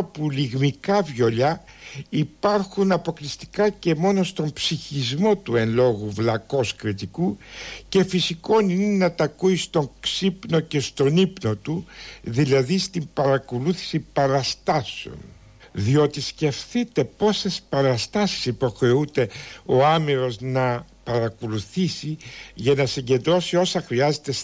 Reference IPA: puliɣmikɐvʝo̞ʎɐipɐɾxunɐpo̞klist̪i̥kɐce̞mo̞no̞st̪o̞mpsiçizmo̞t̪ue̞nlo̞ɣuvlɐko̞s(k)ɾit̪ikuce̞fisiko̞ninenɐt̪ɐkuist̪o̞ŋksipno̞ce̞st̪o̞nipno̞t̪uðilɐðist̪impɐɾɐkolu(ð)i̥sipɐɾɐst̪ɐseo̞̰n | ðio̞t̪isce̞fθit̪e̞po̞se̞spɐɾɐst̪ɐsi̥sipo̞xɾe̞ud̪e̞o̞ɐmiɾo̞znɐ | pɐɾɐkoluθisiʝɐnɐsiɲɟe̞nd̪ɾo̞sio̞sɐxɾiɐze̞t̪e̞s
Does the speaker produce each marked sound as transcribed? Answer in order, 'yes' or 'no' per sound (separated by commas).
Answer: yes, no